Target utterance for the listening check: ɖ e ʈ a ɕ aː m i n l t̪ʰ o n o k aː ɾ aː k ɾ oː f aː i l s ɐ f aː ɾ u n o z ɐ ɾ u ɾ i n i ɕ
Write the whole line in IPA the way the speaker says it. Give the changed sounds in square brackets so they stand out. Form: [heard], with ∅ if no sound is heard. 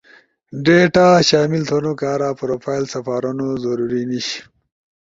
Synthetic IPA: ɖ e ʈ a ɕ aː m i [∅] l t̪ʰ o n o k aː ɾ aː [p] ɾ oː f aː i l s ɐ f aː ɾ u n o z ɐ ɾ u ɾ i n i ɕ